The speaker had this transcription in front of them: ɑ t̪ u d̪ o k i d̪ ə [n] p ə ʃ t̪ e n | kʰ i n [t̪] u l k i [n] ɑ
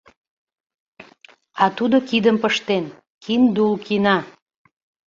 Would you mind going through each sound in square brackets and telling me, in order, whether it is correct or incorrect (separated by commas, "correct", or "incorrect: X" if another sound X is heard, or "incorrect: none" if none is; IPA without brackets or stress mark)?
incorrect: m, incorrect: d̪, correct